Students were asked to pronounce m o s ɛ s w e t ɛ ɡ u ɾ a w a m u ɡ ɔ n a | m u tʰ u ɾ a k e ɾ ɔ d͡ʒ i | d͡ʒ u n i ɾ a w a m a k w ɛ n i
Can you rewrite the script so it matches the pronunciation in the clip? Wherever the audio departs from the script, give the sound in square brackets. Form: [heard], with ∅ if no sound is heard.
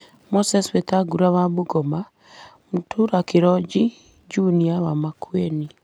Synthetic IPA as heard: m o s ɛ s w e t [a] ɡ u ɾ a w a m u ɡ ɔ [m] a | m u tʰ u ɾ a k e ɾ ɔ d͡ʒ i | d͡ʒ u n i [∅] a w a m a k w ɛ n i